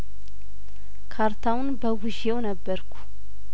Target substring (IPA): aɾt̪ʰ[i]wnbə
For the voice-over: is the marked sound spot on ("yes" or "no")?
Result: no